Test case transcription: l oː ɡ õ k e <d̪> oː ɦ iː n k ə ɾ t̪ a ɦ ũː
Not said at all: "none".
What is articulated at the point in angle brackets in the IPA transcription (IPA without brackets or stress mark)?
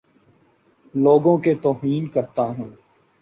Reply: t̪